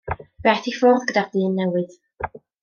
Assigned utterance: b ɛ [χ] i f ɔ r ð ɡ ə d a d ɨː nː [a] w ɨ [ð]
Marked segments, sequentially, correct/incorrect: incorrect, incorrect, correct

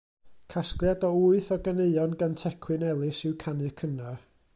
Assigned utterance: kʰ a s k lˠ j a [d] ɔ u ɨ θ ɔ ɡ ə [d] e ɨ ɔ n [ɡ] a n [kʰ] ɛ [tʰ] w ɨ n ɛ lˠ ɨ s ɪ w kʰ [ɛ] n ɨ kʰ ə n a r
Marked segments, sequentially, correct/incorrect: correct, incorrect, correct, incorrect, incorrect, incorrect

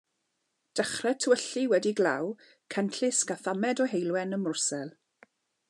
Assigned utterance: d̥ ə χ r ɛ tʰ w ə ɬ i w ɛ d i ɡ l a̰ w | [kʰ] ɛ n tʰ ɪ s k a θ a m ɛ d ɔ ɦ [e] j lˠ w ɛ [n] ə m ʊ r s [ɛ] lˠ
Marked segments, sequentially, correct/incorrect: correct, correct, correct, correct

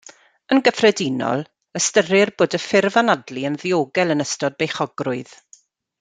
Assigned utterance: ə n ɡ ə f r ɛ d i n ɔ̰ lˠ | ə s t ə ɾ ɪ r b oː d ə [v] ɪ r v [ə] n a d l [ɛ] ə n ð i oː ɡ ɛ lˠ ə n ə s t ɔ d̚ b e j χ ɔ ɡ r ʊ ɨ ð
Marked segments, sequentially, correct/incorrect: incorrect, incorrect, incorrect

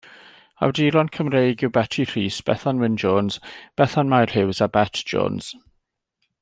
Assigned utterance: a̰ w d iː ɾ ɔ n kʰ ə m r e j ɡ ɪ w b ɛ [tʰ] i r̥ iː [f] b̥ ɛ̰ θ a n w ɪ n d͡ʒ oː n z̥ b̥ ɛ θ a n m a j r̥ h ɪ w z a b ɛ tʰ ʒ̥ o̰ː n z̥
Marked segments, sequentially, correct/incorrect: correct, incorrect

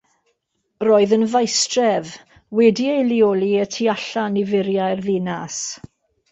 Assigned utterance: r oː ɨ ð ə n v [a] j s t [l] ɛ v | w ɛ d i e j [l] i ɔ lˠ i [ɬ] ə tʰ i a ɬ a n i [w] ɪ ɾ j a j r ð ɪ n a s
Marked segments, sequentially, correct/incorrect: correct, incorrect, correct, incorrect, incorrect

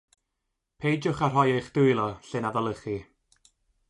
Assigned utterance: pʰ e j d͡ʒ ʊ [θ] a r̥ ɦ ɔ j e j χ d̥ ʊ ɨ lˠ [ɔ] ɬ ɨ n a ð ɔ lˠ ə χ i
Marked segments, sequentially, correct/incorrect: incorrect, correct

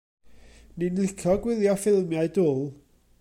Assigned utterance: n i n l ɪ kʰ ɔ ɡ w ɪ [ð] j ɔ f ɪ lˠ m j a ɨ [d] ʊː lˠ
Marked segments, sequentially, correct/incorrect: correct, correct

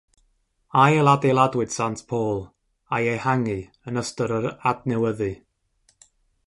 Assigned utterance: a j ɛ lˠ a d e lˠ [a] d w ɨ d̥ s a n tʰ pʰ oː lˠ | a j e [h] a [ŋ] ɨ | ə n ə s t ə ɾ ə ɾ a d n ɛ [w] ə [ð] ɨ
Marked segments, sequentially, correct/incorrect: correct, correct, correct, correct, correct

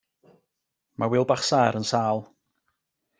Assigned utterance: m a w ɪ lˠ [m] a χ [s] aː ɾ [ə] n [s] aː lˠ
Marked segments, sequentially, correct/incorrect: incorrect, correct, correct, correct

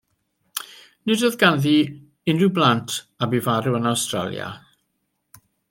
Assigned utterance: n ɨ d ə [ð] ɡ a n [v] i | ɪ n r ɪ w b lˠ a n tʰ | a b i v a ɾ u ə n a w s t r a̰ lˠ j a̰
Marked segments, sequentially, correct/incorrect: correct, incorrect

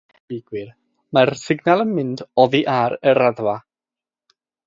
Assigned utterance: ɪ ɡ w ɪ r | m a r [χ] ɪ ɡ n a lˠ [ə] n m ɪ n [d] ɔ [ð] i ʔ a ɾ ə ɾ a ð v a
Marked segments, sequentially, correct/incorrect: incorrect, correct, correct, correct

